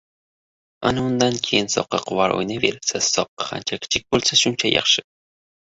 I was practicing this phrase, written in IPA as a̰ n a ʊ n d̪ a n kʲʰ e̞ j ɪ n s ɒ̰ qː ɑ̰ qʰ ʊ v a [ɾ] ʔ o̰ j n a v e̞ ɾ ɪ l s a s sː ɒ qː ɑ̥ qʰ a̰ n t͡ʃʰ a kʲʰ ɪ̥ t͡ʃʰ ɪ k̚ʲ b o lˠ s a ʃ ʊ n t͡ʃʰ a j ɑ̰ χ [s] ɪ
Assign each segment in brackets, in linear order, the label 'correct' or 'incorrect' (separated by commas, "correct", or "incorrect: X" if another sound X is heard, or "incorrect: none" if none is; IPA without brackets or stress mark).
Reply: correct, incorrect: ʃ